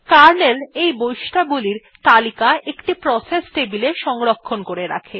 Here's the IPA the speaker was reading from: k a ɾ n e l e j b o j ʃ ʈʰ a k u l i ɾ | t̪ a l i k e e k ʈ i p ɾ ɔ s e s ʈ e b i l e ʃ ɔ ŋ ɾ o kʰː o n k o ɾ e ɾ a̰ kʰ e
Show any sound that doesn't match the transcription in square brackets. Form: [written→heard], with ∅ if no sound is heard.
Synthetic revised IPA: k a ɾ n e l e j b o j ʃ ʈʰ a [k→ɡ] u l i ɾ | t̪ a l i k [e→a] e k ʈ i p ɾ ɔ s e s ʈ e b i l e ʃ ɔ ŋ ɾ o kʰː o n k o ɾ e ɾ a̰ kʰ e